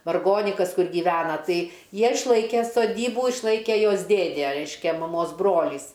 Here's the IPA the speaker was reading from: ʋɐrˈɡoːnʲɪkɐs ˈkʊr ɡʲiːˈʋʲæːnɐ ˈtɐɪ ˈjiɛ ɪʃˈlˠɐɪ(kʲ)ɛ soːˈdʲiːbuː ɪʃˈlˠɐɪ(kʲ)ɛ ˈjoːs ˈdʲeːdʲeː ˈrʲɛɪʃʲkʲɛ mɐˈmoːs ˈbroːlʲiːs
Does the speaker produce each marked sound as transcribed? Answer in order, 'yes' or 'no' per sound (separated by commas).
yes, yes